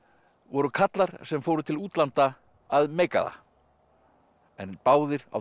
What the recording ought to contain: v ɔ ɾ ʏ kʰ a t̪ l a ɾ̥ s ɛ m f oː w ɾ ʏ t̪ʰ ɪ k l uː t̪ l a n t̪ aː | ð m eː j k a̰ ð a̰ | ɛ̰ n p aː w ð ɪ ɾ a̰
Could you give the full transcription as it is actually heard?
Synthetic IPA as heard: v ɔ ɾ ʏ kʰ a t̪ l a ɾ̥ s ɛ m f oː w ɾ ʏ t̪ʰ ɪ l uː t̪ l a n t̪ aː | ð m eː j k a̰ ð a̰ | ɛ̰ n p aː w ð ɪ ɾ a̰